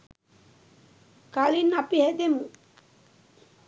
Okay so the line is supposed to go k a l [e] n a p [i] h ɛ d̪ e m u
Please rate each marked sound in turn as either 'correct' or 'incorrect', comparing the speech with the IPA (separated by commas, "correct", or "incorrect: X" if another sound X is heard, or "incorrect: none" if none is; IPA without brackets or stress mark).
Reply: incorrect: i, correct